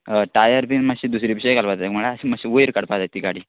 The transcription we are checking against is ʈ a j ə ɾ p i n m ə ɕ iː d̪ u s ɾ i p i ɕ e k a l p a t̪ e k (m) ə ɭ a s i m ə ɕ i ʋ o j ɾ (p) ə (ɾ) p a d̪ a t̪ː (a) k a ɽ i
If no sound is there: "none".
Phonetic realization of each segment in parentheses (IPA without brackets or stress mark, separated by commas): m, k, ɽ, i